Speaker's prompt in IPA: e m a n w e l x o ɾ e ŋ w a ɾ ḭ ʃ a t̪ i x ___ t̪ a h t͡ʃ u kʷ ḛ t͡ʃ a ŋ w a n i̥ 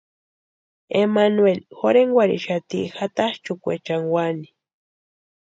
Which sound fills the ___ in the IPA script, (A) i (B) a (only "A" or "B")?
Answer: B